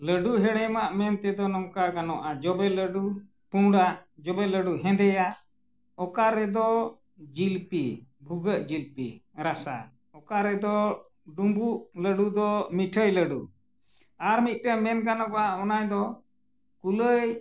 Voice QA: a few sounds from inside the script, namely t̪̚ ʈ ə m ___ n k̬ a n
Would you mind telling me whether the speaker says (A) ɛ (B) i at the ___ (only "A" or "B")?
A